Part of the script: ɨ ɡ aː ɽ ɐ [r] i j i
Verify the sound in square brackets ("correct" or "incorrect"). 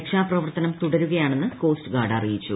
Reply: correct